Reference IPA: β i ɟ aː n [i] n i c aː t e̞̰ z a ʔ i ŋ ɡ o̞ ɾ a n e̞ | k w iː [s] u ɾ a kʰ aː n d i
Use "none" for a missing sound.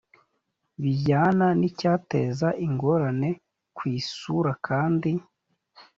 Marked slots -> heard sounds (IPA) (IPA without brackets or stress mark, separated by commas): a, s